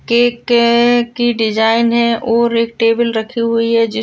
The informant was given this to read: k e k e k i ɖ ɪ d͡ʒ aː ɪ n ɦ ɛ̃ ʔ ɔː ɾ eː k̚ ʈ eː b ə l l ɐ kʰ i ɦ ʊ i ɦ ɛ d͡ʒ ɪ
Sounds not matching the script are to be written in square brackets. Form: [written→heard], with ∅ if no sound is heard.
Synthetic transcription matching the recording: k e k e k i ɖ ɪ d͡ʒ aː ɪ n ɦ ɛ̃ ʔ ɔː ɾ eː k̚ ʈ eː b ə l [l→ɾ] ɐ kʰ i ɦ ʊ i ɦ ɛ d͡ʒ ɪ